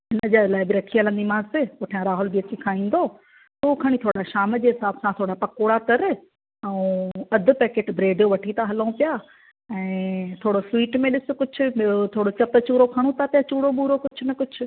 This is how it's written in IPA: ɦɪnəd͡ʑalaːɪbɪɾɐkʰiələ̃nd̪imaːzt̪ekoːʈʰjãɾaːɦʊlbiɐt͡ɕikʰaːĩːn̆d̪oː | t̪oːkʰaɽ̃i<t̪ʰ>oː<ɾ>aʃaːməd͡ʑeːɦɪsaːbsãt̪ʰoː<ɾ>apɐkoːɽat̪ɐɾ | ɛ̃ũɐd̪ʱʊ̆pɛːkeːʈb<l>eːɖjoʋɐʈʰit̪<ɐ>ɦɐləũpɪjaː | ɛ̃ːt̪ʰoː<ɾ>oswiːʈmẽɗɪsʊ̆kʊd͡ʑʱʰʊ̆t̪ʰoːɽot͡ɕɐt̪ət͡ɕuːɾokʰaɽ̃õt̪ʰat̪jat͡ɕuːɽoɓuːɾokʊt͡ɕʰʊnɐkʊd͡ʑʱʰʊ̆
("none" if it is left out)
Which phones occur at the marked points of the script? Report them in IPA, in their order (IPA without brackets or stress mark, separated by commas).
t̪ʰ, ɽ, ɽ, ɾ, a, ɽ